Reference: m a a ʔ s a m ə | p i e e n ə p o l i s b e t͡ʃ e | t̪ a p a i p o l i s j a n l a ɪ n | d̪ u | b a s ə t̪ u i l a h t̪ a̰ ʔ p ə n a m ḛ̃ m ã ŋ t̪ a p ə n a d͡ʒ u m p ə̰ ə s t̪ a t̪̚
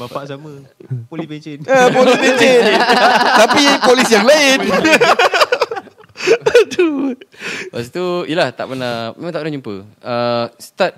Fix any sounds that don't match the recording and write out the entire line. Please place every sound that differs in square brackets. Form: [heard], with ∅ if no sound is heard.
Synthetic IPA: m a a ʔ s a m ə | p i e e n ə p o l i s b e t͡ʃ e | t̪ a p [i] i p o l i s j a [ŋ] l a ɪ n | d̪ u | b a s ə t̪ u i l a h t̪ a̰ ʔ p ə n a m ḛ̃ m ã ŋ t̪ a p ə n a d͡ʒ u m p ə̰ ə s t̪ a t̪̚